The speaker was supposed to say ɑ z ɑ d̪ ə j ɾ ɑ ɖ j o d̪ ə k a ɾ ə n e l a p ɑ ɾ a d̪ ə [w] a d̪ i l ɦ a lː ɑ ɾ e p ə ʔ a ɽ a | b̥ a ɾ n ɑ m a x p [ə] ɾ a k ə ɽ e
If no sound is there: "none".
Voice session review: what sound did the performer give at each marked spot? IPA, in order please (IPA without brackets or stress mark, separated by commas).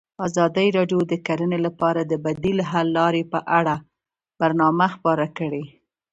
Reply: b, ɑ